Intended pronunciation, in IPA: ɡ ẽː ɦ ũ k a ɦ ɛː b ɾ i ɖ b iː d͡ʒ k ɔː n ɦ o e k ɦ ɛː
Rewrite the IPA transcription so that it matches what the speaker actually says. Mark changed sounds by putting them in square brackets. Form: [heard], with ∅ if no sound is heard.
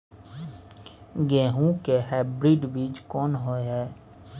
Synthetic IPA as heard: ɡ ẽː ɦ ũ k [e] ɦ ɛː b ɾ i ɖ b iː d͡ʒ k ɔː n ɦ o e [∅] ɦ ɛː